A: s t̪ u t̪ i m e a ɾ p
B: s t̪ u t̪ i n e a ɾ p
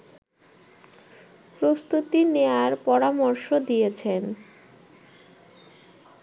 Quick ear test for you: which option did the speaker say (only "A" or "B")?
B